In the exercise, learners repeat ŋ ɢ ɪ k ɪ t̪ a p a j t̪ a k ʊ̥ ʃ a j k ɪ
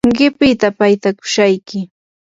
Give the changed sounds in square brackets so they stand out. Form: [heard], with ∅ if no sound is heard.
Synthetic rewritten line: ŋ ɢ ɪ [p] ɪ t̪ a p a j t̪ a k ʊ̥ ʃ a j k ɪ